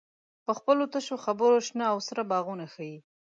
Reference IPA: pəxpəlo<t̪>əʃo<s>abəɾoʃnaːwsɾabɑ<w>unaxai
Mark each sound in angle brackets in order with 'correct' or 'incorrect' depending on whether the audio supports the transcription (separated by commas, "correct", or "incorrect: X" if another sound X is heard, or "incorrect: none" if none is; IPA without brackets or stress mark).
correct, incorrect: x, incorrect: ɣ